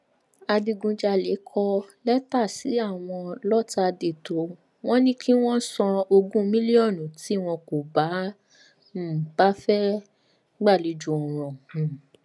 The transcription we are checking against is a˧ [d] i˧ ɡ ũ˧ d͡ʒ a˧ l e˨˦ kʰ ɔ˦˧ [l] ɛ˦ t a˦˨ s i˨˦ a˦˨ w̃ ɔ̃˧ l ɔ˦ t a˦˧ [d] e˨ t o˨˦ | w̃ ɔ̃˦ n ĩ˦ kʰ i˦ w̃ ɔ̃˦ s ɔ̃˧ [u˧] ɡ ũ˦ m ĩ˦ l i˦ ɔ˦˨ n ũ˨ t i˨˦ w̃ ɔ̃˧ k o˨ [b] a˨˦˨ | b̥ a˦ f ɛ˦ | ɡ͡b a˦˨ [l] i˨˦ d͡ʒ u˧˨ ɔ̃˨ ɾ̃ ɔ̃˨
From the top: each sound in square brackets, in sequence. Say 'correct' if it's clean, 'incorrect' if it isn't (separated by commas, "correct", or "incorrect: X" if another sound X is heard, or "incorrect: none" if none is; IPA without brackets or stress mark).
correct, correct, correct, incorrect: o˧, correct, correct